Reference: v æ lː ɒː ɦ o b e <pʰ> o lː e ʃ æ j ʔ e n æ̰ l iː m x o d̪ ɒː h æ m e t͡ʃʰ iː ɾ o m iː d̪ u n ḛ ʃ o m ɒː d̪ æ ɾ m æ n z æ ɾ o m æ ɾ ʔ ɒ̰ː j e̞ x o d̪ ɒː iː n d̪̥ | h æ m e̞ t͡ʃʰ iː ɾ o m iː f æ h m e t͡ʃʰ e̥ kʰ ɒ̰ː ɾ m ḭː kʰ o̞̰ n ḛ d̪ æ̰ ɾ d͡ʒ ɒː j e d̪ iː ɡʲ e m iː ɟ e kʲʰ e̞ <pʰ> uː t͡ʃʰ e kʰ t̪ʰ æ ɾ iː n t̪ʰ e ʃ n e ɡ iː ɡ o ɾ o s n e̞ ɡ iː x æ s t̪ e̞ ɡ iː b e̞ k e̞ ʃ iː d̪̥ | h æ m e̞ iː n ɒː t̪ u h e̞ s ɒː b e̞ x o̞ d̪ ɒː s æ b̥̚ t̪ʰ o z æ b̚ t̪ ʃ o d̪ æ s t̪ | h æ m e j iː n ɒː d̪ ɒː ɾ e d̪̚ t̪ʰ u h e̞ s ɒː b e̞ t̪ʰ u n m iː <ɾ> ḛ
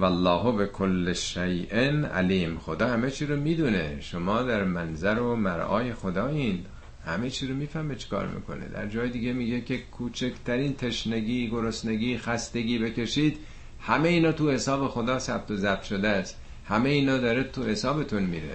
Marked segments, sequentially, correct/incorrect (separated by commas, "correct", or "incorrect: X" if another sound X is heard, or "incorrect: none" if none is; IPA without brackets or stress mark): incorrect: kʰ, incorrect: kʰ, correct